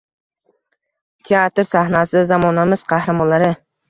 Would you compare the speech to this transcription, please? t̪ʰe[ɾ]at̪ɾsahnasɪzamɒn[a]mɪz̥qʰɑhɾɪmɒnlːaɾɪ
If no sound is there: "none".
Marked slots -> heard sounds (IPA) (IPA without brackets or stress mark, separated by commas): none, a